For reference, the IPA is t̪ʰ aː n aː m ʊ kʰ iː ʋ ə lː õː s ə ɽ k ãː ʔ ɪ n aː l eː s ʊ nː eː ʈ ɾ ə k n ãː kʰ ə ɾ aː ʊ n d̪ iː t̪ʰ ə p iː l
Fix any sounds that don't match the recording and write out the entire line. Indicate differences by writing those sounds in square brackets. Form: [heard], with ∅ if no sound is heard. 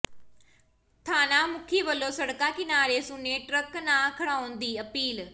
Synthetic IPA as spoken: t̪ʰ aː n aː m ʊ kʰ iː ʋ ə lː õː s ə ɽ k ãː [k] ɪ n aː [ɾ] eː s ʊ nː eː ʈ ɾ ə k n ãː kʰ ə [ɽ] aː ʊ n d̪ iː [∅] ə p iː l